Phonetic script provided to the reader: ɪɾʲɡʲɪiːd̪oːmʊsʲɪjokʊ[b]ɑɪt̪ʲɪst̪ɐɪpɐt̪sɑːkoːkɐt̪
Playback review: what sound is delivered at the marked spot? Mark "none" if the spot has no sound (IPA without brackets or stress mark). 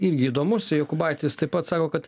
b